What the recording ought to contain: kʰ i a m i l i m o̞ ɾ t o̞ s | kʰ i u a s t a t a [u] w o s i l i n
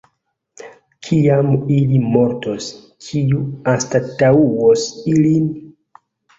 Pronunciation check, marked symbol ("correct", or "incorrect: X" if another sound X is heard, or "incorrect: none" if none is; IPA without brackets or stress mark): correct